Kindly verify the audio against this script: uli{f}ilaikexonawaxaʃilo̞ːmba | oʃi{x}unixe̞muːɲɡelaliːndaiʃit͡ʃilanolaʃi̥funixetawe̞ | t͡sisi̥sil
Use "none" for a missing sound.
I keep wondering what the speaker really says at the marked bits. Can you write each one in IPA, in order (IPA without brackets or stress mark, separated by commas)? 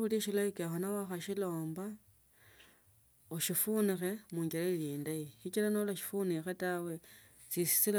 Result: ʃ, f